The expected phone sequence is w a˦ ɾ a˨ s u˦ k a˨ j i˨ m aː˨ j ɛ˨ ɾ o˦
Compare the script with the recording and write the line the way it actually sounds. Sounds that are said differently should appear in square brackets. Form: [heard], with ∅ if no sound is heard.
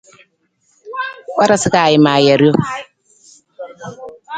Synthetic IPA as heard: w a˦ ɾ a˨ s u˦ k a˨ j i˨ m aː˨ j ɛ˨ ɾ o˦